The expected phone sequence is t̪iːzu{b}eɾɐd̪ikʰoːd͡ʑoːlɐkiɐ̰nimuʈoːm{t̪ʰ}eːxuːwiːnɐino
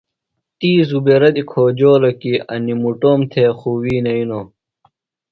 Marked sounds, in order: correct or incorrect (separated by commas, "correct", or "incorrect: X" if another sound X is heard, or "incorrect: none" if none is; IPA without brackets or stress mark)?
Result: correct, correct